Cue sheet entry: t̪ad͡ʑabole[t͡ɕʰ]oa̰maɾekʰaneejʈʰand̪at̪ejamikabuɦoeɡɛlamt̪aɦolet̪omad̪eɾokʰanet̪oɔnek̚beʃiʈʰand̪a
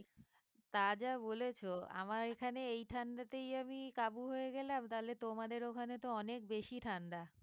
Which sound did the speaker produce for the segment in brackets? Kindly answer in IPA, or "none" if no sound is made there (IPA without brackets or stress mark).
t͡ɕʰ